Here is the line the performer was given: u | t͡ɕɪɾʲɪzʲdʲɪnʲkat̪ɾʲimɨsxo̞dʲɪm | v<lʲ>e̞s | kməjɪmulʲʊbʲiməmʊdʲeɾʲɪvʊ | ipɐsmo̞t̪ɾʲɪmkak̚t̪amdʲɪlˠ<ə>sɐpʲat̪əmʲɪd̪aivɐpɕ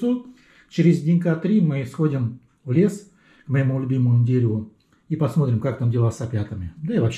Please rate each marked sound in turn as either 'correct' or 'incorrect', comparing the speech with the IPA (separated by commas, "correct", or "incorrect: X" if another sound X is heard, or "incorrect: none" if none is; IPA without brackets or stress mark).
correct, incorrect: a